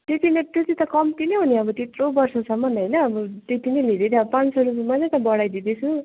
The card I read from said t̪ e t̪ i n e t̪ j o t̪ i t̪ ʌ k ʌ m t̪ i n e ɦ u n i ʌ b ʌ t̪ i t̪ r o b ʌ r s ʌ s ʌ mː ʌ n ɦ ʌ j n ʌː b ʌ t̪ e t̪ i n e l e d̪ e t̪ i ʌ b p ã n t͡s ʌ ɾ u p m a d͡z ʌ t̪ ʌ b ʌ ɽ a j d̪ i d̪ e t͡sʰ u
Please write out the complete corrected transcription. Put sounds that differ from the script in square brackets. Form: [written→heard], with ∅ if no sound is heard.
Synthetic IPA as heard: t̪ e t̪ i n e t̪ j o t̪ i t̪ ʌ k ʌ m t̪ i n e ɦ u n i ʌ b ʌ t̪ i t̪ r o b ʌ r s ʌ s ʌ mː ʌ n ɦ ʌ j n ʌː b ʌ t̪ e t̪ i n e l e d̪ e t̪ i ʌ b p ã n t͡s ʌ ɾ u p m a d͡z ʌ t̪ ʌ b ʌ ɽ a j d̪ i d̪ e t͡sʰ u